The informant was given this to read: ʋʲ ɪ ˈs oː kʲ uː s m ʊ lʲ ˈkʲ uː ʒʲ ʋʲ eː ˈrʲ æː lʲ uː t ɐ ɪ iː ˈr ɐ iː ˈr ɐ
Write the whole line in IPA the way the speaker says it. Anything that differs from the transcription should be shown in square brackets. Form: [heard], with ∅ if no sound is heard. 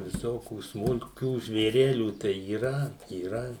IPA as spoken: ʋʲ ɪ ˈs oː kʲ uː s m ʊ lʲ ˈkʲ uː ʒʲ ʋʲ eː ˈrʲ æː lʲ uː t ɐ ɪ iː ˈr ɐ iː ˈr ɐ